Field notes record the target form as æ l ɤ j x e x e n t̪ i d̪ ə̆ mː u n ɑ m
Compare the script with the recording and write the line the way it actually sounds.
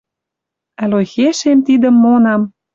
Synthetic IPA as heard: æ l o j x e ʃ e m t̪ i d̪ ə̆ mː o n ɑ m